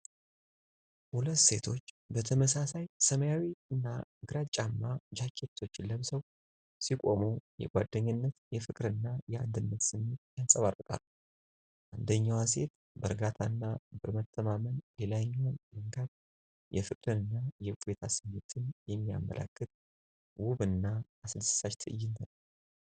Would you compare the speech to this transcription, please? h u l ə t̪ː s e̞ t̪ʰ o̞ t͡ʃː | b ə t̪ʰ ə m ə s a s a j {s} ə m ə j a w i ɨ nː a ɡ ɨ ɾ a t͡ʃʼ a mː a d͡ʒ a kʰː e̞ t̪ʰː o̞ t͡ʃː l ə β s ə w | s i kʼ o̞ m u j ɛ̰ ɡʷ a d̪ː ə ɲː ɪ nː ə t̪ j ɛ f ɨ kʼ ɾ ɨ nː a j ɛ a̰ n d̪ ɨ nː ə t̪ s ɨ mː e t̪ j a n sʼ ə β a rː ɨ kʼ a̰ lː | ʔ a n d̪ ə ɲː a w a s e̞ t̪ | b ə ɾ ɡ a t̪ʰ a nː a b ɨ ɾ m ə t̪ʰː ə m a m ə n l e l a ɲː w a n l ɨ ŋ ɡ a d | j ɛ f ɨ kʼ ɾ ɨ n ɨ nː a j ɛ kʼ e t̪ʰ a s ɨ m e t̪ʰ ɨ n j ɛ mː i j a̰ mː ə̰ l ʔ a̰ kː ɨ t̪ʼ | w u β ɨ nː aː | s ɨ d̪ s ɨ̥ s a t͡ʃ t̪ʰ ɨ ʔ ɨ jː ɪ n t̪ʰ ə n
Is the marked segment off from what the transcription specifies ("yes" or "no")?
no